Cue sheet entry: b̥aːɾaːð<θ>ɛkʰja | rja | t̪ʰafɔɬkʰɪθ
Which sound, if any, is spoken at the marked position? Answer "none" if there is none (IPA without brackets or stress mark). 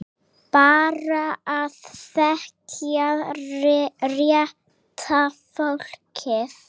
θ